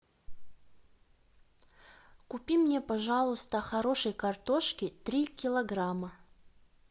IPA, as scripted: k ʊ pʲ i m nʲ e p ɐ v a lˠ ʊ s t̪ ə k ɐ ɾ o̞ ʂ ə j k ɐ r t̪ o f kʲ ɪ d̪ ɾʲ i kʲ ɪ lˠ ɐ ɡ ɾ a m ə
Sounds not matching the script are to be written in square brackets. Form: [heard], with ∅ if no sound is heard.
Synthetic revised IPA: k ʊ pʲ i m nʲ e p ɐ [ʐ] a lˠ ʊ s t̪ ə [x] ɐ ɾ o̞ ʂ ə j k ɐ r t̪ o [ʂ] kʲ ɪ [t̪] ɾʲ i kʲ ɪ lˠ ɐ ɡ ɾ a m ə